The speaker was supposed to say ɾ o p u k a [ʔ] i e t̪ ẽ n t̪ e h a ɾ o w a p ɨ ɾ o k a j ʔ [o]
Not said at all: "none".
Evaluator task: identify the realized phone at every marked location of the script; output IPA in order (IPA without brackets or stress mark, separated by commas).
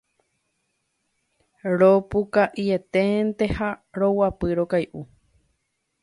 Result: ʔ, u